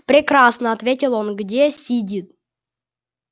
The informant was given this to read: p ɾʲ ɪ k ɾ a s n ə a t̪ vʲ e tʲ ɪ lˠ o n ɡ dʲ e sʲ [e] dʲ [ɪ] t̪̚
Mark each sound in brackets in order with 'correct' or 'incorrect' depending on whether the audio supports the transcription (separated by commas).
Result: incorrect, incorrect